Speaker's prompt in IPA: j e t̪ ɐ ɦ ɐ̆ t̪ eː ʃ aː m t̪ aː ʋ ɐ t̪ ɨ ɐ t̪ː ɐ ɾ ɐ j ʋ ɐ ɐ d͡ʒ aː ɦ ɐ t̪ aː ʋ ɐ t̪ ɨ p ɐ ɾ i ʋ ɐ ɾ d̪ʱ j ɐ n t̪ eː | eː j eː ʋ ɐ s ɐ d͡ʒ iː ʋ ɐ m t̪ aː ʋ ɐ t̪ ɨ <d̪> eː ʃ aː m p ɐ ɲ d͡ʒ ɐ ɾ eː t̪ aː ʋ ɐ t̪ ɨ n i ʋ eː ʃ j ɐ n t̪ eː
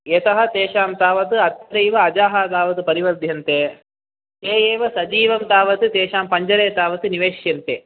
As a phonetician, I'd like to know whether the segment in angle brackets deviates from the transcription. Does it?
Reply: yes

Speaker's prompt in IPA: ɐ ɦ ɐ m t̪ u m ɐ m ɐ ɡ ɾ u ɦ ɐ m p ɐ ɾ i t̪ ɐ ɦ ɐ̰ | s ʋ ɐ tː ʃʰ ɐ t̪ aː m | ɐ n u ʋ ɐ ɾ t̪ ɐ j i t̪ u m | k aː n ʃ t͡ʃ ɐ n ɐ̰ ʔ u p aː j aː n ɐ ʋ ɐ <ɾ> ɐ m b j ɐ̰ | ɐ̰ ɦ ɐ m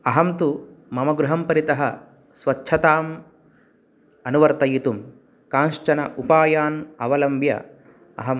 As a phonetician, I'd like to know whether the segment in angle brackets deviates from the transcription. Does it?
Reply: yes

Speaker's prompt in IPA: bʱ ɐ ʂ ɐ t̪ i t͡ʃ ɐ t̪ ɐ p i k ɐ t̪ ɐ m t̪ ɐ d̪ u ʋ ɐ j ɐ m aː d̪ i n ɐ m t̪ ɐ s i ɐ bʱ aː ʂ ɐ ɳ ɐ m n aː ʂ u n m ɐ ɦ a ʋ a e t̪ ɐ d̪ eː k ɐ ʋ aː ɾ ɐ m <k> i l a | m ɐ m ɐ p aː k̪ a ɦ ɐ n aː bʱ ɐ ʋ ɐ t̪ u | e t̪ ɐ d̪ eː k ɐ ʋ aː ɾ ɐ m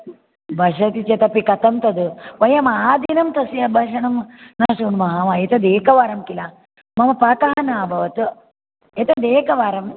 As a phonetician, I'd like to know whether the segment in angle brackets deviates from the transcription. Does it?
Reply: no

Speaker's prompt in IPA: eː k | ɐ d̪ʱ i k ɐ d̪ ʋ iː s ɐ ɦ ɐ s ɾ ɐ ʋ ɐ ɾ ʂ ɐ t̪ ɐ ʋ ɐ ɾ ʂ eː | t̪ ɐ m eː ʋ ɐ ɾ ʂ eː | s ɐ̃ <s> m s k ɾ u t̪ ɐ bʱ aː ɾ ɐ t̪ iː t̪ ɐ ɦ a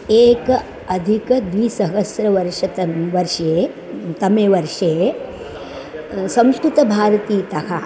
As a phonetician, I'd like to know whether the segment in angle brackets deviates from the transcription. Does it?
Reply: yes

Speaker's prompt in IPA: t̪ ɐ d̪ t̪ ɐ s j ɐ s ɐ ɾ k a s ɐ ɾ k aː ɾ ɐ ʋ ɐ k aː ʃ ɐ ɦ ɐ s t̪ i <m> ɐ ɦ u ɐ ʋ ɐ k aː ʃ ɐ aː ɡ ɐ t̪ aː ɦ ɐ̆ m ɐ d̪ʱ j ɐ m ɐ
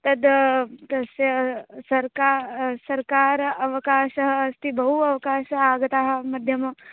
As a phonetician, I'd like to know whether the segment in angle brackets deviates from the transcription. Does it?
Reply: yes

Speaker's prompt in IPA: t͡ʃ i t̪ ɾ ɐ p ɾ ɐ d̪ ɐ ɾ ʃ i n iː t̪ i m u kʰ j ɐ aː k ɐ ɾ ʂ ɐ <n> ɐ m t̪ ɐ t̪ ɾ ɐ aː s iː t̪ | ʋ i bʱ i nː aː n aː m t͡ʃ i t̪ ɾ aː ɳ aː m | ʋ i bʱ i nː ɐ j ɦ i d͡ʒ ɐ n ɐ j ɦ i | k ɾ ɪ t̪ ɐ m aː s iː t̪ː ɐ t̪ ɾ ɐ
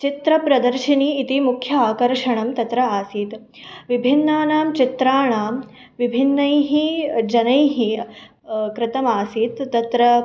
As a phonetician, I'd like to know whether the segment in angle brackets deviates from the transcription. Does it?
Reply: yes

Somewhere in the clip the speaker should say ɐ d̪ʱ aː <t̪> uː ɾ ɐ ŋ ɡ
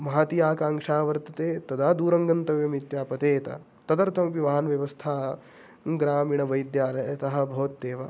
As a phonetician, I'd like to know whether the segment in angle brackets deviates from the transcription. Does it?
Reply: yes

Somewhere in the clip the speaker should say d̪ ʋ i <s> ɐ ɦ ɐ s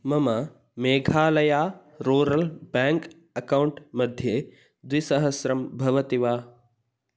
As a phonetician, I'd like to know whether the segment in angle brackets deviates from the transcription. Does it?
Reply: no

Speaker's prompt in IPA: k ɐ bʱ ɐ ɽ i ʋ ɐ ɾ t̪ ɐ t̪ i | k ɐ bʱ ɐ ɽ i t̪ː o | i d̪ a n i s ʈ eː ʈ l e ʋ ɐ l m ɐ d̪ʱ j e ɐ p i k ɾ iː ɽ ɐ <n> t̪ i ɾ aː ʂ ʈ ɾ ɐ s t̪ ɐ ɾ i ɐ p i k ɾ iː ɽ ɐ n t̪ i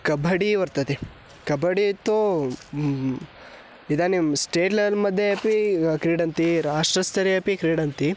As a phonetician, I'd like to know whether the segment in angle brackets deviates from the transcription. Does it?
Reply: no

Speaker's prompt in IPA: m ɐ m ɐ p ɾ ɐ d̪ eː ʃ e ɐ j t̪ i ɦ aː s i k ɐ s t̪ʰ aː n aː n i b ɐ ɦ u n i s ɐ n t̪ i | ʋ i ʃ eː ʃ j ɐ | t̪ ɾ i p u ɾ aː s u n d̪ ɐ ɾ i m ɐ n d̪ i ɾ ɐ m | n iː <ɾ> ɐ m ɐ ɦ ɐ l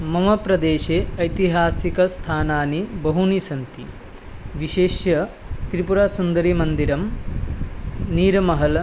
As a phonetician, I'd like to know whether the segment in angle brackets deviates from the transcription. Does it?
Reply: no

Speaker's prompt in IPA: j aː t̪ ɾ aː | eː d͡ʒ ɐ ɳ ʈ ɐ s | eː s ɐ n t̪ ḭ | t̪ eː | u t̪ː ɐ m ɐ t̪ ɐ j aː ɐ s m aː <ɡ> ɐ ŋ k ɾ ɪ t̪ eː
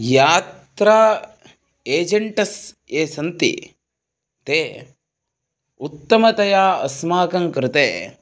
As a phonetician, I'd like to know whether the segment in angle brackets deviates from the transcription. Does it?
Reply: yes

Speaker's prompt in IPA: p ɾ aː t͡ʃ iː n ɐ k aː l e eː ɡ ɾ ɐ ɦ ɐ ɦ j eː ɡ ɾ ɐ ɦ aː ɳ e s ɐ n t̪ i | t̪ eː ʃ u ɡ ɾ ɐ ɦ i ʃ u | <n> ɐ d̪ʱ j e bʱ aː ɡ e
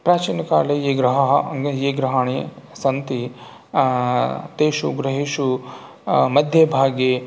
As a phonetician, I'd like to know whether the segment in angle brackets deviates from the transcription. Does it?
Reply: yes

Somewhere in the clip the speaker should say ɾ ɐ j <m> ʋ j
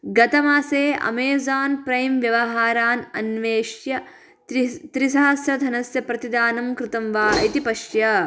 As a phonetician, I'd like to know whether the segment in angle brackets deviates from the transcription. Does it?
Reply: no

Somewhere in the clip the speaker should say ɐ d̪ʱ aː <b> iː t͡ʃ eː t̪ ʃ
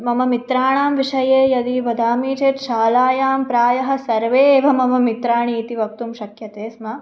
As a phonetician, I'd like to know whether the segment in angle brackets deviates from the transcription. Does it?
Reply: yes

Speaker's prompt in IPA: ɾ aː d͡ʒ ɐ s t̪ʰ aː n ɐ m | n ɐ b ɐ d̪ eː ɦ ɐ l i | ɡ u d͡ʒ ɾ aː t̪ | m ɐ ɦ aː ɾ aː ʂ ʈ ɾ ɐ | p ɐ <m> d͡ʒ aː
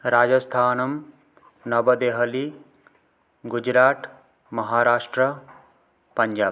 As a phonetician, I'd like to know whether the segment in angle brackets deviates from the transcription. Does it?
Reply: yes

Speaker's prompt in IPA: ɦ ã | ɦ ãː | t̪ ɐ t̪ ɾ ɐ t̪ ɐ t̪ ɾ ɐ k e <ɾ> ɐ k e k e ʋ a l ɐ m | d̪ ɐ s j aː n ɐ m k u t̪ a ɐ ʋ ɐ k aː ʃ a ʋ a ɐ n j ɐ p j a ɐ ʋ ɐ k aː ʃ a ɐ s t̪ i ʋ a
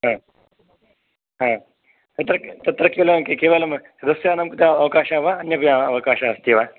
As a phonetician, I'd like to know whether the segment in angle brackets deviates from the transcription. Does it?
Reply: yes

